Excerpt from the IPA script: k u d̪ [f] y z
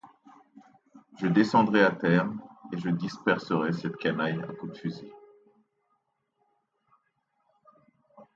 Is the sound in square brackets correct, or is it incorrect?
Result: correct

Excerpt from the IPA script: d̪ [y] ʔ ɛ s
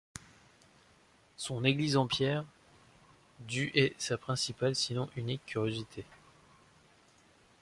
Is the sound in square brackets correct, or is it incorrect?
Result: correct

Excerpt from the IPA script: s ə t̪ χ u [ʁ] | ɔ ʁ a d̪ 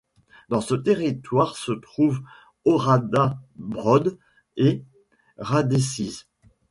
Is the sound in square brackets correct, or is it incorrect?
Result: incorrect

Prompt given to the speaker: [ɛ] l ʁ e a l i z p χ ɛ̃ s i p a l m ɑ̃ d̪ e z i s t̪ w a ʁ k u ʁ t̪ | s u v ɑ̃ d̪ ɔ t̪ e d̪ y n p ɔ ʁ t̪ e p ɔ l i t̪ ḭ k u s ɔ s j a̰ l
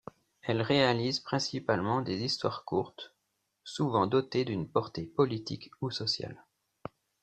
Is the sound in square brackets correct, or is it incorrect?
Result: correct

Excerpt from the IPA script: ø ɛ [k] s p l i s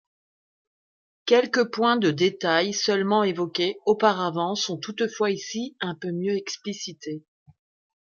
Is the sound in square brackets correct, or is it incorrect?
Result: correct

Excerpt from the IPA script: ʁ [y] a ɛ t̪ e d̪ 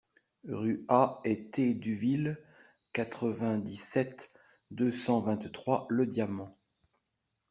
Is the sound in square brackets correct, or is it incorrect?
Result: correct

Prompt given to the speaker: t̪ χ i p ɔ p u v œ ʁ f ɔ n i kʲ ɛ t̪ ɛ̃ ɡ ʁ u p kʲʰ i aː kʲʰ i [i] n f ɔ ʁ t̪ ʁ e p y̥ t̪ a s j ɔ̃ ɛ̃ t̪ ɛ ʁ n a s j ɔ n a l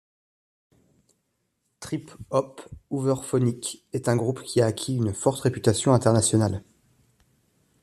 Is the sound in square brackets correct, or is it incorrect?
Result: incorrect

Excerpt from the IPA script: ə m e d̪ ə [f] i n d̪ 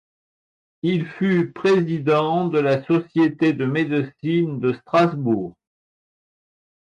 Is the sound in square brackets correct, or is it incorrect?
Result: incorrect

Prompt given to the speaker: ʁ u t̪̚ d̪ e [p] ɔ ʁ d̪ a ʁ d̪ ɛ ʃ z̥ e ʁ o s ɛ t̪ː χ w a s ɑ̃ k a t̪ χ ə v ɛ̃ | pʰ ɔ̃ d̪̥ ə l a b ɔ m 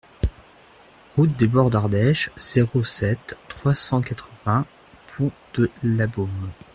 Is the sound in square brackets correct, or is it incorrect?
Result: incorrect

